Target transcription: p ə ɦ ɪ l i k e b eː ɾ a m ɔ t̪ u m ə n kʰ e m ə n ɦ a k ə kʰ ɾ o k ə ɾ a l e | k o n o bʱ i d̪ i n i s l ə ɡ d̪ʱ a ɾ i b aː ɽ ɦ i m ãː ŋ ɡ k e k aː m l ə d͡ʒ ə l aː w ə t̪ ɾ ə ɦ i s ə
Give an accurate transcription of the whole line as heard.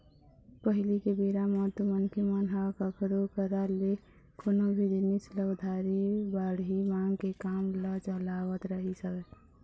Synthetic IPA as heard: p ə ɦ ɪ l i k e b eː ɾ a m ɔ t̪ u m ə n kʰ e m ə n ɦ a k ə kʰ ɾ o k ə ɾ a l e | k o n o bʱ i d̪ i n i s l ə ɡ d̪ʱ a ɾ i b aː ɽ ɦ i m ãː ŋ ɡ k e k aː m l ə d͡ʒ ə l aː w ə t̪ ɾ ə ɦ i s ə